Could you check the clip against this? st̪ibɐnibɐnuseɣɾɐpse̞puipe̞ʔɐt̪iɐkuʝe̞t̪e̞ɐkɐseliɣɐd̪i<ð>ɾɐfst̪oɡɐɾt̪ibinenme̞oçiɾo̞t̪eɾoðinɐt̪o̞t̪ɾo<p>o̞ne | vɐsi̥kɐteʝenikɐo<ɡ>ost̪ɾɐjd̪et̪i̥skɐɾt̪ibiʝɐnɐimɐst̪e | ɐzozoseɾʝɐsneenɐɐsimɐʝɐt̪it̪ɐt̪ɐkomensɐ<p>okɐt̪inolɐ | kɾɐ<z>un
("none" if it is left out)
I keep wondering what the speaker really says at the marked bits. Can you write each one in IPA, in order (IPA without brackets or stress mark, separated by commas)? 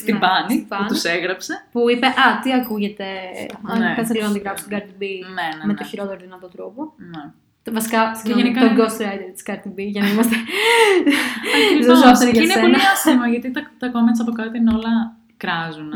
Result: ɣ, p, ɡ, p, z